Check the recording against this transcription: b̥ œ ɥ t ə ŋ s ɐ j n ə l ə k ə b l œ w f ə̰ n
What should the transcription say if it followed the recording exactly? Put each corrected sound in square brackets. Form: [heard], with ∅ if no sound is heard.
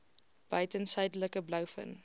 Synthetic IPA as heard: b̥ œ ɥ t ə [n] s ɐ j [d] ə l ə k ə b l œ w f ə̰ n